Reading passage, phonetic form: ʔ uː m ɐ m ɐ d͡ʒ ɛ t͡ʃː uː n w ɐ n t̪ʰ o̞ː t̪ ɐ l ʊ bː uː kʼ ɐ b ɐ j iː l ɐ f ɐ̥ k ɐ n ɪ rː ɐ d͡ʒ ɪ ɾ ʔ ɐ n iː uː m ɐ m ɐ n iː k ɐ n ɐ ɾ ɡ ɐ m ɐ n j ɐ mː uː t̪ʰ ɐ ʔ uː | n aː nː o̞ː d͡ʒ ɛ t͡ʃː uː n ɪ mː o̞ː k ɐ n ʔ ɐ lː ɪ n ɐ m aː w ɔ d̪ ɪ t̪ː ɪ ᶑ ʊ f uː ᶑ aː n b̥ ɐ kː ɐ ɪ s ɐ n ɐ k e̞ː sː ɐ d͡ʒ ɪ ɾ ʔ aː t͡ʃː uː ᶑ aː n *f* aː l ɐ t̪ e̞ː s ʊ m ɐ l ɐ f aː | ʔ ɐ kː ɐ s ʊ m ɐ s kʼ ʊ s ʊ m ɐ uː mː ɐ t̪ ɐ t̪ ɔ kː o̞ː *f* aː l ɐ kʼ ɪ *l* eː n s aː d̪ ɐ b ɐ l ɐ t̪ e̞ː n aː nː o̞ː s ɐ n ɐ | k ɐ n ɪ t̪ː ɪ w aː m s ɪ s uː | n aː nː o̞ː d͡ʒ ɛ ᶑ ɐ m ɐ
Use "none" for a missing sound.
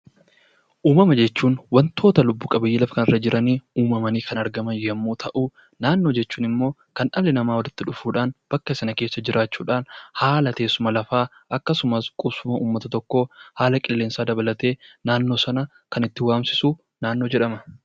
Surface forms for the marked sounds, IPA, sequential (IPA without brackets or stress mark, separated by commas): h, h, lː